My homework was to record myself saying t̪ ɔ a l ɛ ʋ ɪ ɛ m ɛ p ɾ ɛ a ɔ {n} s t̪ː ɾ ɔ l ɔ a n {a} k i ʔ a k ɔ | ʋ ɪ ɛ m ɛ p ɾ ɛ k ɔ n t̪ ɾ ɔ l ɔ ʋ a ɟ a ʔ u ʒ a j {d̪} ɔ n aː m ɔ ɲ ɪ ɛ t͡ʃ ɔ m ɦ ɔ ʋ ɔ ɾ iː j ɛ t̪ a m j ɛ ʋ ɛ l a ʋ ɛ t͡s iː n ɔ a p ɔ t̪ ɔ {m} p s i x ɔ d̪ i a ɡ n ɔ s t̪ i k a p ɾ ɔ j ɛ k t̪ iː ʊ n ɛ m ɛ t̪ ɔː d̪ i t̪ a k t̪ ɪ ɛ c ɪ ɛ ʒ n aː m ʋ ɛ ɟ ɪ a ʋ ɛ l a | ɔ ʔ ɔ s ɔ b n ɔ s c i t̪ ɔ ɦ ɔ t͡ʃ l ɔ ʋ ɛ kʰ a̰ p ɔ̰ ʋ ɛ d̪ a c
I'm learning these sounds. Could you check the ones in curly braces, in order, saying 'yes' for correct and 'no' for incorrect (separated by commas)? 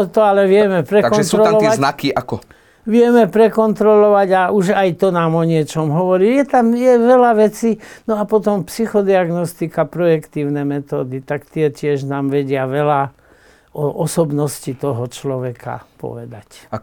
yes, yes, no, yes